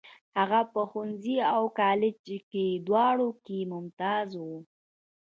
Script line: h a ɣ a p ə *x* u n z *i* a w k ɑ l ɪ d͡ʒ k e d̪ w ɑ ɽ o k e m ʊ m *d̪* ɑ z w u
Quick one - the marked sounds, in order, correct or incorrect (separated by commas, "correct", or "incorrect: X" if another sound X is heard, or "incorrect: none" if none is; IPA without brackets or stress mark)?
correct, correct, incorrect: t̪